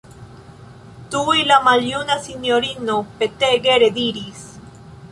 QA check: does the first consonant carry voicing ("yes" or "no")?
no